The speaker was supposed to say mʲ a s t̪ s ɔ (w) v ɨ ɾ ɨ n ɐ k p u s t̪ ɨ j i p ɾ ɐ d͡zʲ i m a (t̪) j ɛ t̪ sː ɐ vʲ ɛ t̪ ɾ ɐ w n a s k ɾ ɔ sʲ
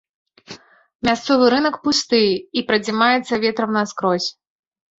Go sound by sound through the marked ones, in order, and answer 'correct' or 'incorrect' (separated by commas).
incorrect, incorrect